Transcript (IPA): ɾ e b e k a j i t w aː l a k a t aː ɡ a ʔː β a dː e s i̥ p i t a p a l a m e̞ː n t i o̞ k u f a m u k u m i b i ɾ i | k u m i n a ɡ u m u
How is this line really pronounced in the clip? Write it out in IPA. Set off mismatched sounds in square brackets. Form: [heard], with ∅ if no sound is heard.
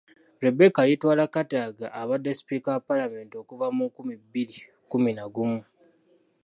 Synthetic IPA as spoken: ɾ e b e k a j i t w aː l a k a t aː ɡ a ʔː β a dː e s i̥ p i [k] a p a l a m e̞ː n t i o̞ k u [v] a m u k u m i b i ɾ i | k u m i n a ɡ u m u